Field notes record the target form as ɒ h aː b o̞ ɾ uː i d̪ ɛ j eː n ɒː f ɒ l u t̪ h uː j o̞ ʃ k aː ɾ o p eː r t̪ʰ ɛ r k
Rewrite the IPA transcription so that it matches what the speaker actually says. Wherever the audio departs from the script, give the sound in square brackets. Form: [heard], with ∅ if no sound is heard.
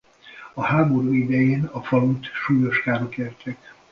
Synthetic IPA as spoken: ɒ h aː b o̞ ɾ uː i d̪ ɛ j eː n [ɒ] f ɒ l u t̪ [ʃ] uː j o̞ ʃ k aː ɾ o [k] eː r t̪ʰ ɛ [∅] k